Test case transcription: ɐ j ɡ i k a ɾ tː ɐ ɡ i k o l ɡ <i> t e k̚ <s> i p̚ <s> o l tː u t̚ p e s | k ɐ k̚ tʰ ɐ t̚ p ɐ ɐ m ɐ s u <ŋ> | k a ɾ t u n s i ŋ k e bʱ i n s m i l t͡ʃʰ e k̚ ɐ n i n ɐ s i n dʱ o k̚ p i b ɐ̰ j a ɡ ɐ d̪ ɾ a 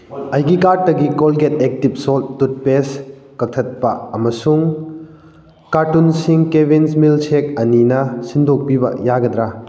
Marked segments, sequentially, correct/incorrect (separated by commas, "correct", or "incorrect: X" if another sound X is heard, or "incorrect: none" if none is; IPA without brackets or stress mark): incorrect: e, incorrect: t, correct, correct